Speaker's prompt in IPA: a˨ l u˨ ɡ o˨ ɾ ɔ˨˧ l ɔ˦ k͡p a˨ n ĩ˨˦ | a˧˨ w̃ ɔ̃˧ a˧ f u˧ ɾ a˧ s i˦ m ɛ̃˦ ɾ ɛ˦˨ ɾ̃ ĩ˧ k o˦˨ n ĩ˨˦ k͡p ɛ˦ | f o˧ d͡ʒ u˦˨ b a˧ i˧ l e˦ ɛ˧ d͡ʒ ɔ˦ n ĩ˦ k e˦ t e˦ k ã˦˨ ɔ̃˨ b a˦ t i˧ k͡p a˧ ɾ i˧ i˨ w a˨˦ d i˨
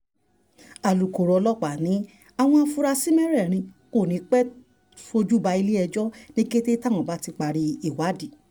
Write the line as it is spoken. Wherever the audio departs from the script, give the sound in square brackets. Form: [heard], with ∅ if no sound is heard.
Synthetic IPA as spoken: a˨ l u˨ [k] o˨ ɾ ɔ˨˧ l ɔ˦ k͡p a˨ n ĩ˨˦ | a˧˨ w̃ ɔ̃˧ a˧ f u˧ ɾ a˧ s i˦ m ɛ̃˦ ɾ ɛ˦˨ ɾ̃ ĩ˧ k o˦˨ n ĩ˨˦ k͡p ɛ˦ | f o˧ d͡ʒ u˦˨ b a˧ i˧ l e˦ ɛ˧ d͡ʒ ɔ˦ n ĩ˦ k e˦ t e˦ [t] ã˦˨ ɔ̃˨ b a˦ t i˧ k͡p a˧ ɾ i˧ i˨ w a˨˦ d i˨